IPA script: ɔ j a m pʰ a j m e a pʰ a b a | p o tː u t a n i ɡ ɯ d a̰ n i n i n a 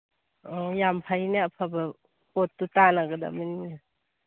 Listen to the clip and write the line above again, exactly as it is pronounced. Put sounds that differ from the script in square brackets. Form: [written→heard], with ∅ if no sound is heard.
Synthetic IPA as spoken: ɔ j a m pʰ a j [m→n] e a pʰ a b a | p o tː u t a n [i→a] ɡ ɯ d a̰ [n→m] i n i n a